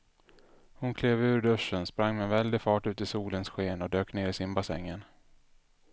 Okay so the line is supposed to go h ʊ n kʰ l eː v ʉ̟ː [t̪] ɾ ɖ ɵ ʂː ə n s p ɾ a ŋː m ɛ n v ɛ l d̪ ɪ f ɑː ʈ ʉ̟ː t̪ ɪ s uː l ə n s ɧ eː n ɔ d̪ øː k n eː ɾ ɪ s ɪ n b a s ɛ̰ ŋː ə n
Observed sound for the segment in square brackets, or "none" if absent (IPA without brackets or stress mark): none